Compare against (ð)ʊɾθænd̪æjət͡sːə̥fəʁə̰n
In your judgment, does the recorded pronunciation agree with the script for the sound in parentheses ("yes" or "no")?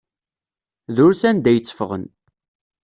yes